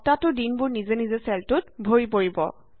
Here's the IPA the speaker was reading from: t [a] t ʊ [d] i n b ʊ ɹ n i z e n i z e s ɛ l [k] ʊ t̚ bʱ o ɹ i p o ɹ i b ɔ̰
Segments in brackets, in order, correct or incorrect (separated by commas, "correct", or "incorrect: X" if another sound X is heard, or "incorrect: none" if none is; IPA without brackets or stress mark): correct, correct, incorrect: t